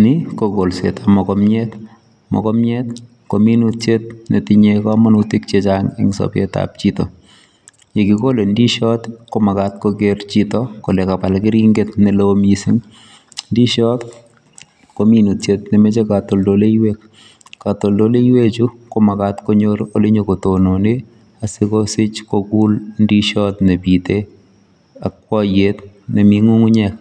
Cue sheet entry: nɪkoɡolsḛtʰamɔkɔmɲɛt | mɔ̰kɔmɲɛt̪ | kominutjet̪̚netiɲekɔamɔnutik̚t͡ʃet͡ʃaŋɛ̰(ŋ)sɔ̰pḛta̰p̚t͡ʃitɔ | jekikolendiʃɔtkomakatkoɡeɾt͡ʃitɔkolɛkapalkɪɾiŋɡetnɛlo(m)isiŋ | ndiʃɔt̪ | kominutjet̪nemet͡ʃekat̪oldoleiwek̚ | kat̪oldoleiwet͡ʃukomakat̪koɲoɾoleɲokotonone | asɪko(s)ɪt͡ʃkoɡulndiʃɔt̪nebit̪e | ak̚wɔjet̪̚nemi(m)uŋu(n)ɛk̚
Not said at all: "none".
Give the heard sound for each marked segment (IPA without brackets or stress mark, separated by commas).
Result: ŋ, m, s, ŋ, ɲ